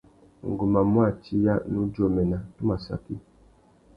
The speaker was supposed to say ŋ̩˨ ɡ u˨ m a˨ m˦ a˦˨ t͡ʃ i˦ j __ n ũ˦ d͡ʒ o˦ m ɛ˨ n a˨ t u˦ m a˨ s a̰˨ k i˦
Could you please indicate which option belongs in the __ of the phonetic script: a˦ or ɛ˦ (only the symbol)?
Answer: a˦